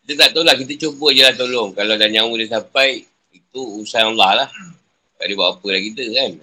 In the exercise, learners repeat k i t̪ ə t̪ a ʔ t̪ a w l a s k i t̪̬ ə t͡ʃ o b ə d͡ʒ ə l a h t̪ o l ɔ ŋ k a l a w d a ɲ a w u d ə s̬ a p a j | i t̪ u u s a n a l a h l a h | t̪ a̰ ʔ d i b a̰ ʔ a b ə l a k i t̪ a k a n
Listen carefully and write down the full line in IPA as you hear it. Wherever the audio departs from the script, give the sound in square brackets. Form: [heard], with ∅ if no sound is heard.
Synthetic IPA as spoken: k i t̪ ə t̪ a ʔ t̪ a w l a [h] k i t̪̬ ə t͡ʃ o b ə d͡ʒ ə l a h t̪ o l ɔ ŋ k a l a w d a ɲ a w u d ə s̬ a p a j | i t̪ u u s a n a l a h l a h | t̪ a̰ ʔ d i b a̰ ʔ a [p] ə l a k i t̪ [ə] k a n